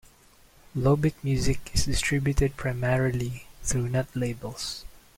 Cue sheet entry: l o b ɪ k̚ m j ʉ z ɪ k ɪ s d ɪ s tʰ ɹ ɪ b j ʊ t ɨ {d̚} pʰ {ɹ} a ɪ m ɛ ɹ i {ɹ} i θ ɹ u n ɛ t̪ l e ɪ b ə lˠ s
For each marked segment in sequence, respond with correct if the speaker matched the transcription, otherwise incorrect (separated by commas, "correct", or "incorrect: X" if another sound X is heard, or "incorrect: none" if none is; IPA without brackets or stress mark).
correct, correct, incorrect: l